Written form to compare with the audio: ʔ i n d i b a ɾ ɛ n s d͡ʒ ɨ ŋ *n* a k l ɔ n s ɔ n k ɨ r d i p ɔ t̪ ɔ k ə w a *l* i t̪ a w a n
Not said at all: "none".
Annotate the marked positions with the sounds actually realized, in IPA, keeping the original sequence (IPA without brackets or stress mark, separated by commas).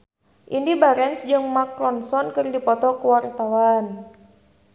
m, ɾ